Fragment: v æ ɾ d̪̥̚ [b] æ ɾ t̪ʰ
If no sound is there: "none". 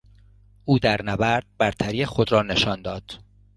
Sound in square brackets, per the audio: b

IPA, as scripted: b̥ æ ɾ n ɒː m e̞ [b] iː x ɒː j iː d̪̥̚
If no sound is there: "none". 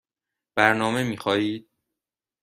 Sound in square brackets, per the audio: m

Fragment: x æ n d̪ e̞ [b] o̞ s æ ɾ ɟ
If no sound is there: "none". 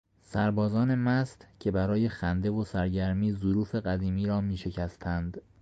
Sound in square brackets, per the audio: v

